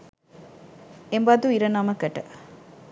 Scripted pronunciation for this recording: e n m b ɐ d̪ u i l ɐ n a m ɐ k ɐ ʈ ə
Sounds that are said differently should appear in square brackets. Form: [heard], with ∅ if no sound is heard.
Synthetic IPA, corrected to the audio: e [∅] m b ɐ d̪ u i [ɾ] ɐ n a m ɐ k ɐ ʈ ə